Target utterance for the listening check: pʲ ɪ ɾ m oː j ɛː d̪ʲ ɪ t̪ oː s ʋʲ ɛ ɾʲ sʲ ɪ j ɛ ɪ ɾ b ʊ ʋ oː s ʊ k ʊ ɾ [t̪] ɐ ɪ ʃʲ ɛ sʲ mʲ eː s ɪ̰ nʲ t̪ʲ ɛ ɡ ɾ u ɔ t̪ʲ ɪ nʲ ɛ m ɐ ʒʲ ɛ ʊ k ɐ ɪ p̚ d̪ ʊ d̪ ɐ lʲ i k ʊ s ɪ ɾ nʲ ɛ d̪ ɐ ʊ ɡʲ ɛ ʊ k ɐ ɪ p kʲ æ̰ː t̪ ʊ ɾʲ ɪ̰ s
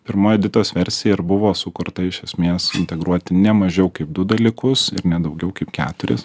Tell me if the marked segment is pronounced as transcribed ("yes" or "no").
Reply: yes